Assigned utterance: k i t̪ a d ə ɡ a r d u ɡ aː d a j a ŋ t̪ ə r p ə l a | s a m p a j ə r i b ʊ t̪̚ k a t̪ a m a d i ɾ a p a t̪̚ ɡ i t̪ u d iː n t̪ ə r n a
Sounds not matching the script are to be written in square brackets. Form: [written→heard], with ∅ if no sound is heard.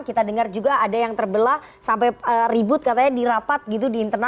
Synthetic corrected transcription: k i t̪ a d ə [ɡ→ŋ] a r [d→d͡ʒ] u ɡ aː d a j a ŋ t̪ ə r [p→b] ə l a | s a m p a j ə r i b ʊ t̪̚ k a t̪ a [m→ɲ] a d i ɾ a p a t̪̚ ɡ i t̪ u d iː n t̪ ə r n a